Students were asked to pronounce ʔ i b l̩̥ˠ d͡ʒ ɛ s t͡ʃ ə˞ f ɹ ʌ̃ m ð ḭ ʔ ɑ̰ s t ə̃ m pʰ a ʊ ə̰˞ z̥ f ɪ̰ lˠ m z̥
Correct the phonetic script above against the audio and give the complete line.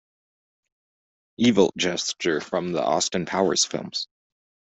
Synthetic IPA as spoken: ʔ i v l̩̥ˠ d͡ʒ ɛ s t͡ʃ ə˞ f ɹ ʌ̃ m ð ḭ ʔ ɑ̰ s t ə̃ n pʰ a ʊ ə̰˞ z̥ f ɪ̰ lˠ m z̥

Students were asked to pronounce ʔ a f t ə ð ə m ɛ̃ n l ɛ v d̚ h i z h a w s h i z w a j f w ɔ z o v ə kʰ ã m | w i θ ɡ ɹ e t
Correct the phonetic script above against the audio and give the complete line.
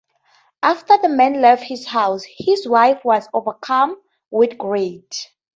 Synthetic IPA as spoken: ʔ a f t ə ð ə m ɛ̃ n l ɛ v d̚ h i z h a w s h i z w a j f w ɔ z o v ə kʰ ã m | w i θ ɡ ɹ e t

